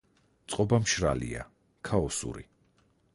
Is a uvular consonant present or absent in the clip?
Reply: present